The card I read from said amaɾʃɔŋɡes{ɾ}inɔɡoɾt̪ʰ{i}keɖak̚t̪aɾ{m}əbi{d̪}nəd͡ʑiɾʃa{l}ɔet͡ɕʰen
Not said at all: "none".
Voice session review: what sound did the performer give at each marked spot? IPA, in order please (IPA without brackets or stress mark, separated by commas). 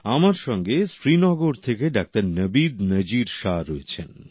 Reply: ɾ, e, n, d̪, ɾ